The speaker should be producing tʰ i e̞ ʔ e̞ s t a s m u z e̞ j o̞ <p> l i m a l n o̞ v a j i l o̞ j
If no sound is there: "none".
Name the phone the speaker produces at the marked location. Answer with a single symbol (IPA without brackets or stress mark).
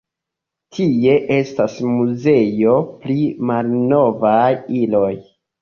p